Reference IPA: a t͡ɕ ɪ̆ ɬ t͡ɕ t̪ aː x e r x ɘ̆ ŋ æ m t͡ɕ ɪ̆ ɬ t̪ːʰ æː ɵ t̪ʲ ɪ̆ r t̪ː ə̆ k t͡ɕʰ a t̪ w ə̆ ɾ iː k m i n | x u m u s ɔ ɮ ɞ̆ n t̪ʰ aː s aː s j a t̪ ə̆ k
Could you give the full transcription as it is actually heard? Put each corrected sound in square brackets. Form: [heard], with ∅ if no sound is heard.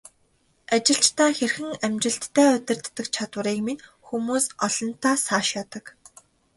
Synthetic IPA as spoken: a t͡ɕ ɪ̆ ɬ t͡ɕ t̪ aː x e r x ɘ̆ ŋ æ m t͡ɕ ɪ̆ ɬ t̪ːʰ æː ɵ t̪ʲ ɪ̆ r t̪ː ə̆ k t͡ɕʰ a t̪ w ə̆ ɾ iː k m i n | x u m [uː] s ɔ ɮ ɞ̆ n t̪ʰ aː s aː [ʃ] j a t̪ ə̆ k